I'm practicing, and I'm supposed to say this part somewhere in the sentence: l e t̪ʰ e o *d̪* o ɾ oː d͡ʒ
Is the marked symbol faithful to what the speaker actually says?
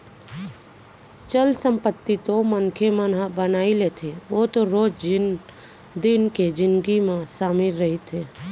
no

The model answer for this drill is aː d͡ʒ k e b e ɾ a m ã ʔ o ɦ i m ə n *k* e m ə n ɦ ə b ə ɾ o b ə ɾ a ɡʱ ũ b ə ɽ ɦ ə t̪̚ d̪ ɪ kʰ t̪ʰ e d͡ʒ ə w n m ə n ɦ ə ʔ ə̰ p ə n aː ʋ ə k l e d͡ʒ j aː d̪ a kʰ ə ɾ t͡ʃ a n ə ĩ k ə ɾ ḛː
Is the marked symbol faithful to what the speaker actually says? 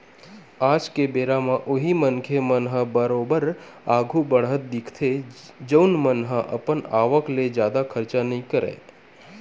no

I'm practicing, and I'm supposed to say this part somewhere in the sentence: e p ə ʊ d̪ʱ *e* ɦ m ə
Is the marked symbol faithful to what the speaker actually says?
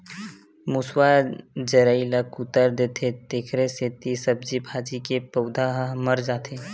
no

